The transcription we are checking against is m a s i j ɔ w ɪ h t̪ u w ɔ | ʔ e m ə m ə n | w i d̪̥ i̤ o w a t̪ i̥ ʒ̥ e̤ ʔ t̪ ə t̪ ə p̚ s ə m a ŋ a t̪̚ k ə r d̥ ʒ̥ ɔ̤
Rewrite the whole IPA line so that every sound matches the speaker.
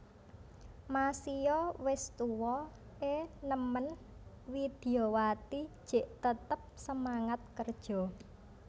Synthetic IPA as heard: m a s i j ɔ w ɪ s t̪ u w ɔ | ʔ e n ə m ə n | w i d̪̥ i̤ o w a t̪ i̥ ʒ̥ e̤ ʔ t̪ ə t̪ ə p̚ s ə m a ŋ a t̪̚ k ə r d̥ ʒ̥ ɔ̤